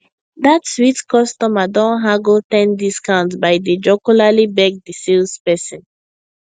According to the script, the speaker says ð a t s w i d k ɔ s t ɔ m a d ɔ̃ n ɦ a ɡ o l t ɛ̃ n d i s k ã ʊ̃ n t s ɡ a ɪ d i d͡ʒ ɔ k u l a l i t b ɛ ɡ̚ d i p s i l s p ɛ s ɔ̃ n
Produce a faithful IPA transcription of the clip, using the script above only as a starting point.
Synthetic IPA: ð a t s w i t k ɔ s t ɔ m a d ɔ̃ n ɦ a ɡ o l t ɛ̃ n d i s k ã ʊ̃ n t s b a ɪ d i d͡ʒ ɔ k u l a l i b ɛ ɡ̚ d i s i l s p ɛ s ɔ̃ n